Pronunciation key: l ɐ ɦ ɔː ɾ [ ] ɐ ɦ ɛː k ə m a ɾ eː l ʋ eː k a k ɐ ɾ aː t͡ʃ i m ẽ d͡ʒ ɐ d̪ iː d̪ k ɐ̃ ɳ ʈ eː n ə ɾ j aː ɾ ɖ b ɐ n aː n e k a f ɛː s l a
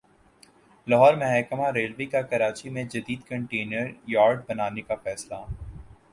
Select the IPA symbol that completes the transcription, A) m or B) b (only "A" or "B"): A